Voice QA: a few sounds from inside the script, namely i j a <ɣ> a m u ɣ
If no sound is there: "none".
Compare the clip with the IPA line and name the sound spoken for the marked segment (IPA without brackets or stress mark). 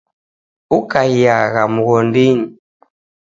ɣ